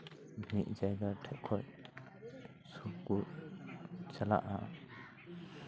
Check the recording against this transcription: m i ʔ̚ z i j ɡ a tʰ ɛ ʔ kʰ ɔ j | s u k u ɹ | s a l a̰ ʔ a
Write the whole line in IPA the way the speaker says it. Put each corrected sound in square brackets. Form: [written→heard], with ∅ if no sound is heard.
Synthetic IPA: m i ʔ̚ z [i→a] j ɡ a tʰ ɛ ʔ kʰ ɔ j | s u k u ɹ | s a l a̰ ʔ a